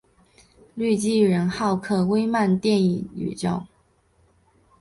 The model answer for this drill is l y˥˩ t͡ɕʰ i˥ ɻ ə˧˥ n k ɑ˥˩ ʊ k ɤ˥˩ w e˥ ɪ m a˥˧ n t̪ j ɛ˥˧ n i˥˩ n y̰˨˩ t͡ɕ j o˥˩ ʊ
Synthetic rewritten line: l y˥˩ t͡ɕ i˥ ɻ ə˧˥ n x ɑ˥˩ ʊ kʰ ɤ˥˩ w e˥ ɪ m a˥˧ n t̪ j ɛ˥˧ n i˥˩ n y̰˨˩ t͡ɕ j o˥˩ ʊ